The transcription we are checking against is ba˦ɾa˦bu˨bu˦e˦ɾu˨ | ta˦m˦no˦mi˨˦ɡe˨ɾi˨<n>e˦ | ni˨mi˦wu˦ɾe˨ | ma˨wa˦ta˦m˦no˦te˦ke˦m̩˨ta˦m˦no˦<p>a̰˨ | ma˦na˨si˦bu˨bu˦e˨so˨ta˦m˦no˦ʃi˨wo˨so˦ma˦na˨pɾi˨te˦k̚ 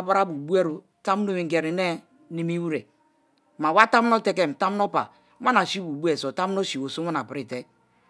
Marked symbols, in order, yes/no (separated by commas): yes, yes